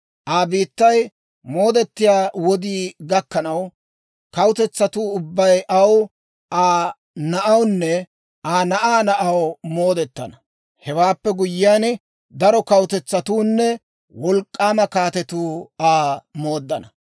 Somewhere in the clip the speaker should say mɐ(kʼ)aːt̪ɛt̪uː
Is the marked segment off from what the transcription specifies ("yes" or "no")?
yes